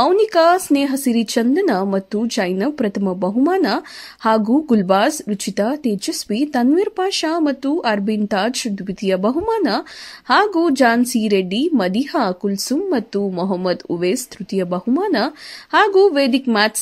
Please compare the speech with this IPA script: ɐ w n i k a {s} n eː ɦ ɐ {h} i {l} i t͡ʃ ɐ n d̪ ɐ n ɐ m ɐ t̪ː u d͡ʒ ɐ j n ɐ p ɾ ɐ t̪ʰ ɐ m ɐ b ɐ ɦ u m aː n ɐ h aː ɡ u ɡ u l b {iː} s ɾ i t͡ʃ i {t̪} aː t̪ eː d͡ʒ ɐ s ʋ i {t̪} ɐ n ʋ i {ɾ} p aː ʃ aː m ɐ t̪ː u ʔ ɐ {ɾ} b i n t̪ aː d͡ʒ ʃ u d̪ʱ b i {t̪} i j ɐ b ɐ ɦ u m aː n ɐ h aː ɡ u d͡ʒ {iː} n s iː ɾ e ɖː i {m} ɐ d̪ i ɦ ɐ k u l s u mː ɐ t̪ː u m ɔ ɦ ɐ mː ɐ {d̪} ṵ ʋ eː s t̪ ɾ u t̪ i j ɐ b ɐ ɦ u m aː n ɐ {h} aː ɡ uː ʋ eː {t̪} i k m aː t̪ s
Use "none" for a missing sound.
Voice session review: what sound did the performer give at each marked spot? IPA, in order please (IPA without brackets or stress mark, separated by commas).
s, s, ɾ, aː, t̪, t̪, ɾ, ɾ, t̪, aː, m, d̪, h, d̪